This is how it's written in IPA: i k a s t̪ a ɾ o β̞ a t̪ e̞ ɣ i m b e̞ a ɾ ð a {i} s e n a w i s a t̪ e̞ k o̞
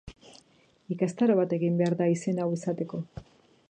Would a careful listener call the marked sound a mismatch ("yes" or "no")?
no